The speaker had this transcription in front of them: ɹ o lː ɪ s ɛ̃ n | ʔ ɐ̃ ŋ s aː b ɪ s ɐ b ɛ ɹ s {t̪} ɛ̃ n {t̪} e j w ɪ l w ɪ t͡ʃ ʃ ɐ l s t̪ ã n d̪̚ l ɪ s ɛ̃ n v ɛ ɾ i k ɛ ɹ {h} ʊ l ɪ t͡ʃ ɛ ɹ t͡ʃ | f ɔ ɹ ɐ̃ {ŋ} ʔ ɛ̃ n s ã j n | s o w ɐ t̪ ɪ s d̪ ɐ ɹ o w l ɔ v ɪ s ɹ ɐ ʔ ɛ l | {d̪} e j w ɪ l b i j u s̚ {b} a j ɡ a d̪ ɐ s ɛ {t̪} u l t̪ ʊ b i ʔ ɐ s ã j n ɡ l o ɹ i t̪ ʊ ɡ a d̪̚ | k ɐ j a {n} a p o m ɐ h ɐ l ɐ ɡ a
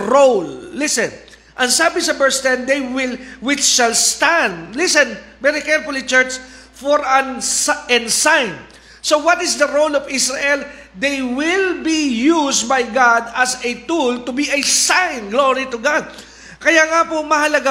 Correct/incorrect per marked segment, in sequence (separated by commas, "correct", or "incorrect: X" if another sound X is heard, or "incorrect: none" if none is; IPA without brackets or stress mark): correct, incorrect: d̪, incorrect: f, incorrect: n, correct, correct, correct, incorrect: ŋ